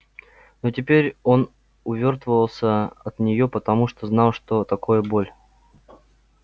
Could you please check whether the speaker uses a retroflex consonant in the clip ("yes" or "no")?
yes